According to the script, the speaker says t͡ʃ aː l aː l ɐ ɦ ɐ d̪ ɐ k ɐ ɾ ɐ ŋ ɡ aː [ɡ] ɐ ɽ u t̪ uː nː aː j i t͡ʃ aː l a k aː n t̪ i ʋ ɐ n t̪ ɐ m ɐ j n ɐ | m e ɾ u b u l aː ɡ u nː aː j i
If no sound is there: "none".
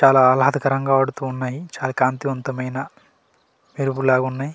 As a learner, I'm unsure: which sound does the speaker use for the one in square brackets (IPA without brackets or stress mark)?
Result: none